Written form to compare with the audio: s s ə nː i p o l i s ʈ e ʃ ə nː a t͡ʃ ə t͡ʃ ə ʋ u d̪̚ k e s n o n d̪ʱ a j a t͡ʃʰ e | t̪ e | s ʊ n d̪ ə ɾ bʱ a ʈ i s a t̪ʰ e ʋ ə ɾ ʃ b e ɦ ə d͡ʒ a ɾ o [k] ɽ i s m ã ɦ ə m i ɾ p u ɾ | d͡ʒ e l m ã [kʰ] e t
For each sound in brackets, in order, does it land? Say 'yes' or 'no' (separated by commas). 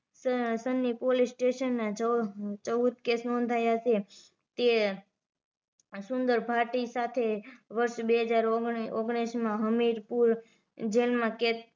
no, no